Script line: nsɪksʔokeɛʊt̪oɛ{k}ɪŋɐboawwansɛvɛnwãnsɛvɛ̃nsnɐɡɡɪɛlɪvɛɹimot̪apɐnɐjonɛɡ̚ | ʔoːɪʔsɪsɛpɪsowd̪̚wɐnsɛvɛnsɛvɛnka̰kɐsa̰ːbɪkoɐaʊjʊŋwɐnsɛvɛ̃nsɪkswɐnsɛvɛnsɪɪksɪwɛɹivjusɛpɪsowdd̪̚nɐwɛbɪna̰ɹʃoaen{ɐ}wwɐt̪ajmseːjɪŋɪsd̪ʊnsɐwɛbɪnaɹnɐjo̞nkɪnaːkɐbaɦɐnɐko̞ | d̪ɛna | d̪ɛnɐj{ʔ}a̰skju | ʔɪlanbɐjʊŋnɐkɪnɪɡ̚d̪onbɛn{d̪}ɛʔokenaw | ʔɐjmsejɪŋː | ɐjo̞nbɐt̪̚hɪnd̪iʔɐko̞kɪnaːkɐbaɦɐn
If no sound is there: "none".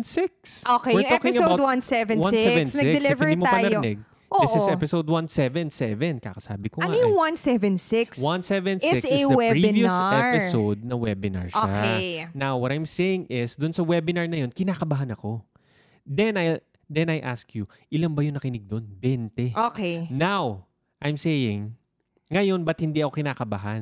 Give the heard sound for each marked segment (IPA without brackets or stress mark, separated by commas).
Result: k, a, ʔ, t̪